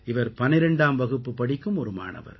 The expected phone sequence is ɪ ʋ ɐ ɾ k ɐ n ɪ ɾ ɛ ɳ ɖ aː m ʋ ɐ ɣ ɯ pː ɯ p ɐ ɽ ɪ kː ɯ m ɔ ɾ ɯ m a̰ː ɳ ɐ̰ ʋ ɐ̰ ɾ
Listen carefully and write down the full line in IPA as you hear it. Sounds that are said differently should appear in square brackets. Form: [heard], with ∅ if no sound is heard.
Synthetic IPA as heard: ɪ ʋ ɐ ɾ [p] ɐ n ɪ ɾ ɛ ɳ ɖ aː m ʋ ɐ ɣ ɯ pː ɯ p ɐ ɽ ɪ kː ɯ m ɔ ɾ ɯ m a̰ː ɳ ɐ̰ ʋ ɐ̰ ɾ